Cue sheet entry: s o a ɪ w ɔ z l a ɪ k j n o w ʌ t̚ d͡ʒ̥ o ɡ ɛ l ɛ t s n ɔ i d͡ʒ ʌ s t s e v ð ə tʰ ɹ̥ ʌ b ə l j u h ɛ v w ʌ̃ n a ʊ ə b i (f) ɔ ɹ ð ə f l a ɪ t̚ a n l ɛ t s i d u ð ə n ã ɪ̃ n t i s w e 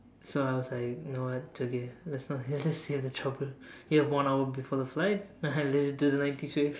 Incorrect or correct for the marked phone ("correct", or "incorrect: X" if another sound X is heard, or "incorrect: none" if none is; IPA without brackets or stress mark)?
correct